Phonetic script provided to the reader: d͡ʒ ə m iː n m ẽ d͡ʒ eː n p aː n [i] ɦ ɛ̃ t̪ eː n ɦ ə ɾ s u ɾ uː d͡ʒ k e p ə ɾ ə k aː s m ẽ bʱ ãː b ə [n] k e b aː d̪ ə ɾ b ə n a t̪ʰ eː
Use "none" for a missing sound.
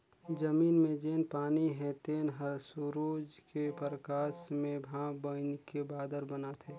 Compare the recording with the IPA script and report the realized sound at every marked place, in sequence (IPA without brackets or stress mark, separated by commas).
i, n